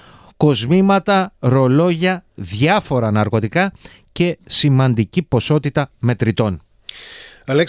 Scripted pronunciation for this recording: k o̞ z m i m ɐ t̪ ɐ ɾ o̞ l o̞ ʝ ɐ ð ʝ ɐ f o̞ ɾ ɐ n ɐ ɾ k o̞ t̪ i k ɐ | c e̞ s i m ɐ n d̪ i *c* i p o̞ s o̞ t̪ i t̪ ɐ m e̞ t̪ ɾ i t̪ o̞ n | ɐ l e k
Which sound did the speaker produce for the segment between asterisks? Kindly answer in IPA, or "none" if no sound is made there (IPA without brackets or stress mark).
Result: c